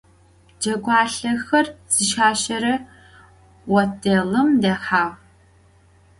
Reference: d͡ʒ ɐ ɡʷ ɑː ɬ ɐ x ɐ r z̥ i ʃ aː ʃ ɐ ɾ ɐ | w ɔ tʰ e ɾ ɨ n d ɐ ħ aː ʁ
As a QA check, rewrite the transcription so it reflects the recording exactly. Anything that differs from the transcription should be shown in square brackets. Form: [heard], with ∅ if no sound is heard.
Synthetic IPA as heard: d͡ʒ ɐ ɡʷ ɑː ɬ ɐ x ɐ r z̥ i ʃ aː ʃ ɐ ɾ ɐ | w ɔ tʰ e [l] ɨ [m] d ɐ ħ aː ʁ